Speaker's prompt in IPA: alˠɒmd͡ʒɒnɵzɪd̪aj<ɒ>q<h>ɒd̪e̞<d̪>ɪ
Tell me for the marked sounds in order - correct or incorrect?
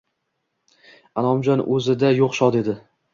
incorrect: o, incorrect: ʃ, correct

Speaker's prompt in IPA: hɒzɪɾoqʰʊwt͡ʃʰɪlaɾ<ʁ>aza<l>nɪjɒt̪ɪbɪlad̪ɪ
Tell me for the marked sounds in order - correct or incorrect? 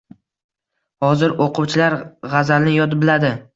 correct, correct

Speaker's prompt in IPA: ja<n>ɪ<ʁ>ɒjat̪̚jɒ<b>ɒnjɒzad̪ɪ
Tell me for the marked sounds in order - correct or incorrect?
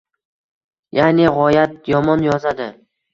correct, correct, incorrect: m

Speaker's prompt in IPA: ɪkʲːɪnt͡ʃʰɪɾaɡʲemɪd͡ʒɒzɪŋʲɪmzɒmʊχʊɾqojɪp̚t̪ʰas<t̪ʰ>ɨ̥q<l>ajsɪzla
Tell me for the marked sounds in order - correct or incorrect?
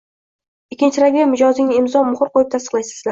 incorrect: t̪, correct

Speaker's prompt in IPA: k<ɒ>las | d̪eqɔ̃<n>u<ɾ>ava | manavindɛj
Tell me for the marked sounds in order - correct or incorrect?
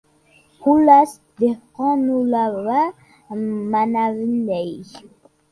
incorrect: u, correct, incorrect: l

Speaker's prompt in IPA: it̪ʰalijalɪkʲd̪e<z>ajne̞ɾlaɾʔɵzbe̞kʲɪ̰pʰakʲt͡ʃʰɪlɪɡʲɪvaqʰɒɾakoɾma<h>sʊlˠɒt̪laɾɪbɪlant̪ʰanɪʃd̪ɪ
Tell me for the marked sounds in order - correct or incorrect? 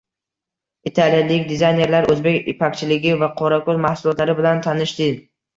correct, correct

